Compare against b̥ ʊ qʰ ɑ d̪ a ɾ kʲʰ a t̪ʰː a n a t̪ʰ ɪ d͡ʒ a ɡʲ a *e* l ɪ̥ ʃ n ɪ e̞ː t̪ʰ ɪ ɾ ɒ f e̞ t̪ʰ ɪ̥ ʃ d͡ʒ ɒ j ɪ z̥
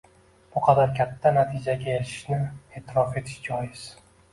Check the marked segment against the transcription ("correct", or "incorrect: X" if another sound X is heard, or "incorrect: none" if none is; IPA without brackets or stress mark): correct